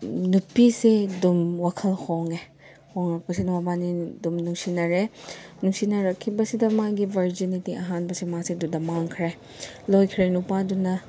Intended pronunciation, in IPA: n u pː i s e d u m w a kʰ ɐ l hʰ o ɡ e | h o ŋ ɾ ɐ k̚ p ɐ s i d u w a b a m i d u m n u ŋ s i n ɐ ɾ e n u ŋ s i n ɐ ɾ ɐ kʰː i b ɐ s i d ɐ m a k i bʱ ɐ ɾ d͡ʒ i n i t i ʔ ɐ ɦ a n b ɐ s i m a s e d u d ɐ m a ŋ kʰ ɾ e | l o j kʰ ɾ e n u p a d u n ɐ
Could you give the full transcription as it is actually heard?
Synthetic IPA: n u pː i s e d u m w a kʰ ɐ l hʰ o ŋ e | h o ŋ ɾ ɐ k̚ p ɐ s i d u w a b a n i d u m n u ŋ s i n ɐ ɾ e n u ŋ s i n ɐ ɾ ɐ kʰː i b ɐ s i d ɐ m a ɡ i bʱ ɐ ɾ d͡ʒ i n i t i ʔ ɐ ɦ a n b ɐ s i m a s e d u d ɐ m a ŋ kʰ ɾ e | l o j kʰ ɾ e n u p a d u n ɐ